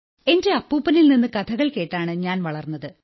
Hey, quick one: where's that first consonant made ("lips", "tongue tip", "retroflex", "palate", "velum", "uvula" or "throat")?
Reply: tongue tip